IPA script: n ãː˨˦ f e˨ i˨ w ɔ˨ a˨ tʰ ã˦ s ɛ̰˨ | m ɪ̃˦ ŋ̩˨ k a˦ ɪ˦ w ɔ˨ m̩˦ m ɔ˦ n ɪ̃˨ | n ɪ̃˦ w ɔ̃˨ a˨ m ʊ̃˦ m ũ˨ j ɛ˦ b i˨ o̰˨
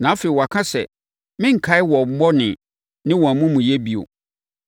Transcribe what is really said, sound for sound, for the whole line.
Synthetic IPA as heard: n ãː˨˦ f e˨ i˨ w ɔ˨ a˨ kʰ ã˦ s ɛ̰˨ | m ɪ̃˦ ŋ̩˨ kʰ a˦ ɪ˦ w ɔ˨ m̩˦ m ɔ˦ n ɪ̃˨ | n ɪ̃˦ w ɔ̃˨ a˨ m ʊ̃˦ m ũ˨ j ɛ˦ b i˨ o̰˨